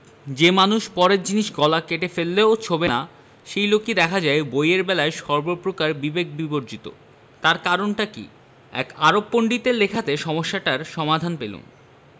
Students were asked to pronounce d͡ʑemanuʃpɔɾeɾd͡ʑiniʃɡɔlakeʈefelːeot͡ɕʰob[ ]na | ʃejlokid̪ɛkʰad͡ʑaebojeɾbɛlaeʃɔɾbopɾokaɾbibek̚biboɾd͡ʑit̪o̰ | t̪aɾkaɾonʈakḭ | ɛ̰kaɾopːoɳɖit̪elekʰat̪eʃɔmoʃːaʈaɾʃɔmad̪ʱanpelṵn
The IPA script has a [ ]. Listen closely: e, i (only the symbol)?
e